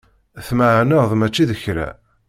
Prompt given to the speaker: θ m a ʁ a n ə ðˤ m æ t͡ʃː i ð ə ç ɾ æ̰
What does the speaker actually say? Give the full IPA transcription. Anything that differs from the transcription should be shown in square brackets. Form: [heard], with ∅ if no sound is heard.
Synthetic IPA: θ m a [ʕ] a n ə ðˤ m æ t͡ʃː i ð ə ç ɾ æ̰